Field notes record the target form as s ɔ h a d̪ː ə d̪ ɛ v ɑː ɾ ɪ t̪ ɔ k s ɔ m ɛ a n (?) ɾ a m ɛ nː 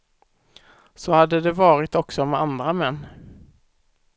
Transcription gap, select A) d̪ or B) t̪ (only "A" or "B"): A